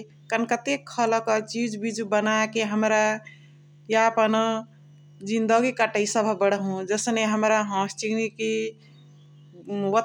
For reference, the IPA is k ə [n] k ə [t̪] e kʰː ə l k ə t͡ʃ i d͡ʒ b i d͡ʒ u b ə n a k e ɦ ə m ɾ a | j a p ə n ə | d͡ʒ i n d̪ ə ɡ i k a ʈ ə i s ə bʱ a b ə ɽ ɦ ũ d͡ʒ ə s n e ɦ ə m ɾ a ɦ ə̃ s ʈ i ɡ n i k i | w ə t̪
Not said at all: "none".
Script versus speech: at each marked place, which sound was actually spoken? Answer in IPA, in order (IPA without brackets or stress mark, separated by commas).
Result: n, t̪